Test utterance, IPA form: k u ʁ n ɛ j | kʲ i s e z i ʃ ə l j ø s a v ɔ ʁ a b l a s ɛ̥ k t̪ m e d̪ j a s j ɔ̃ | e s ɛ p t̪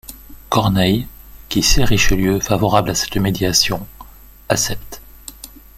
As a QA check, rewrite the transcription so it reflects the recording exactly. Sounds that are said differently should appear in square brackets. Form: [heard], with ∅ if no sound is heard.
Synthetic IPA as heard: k [ɔ] ʁ n ɛ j | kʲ i s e [ʁ] i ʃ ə l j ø [f] a v ɔ ʁ a b l a s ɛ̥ [∅] t̪ m e d̪ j a s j ɔ̃ | [a] s ɛ p t̪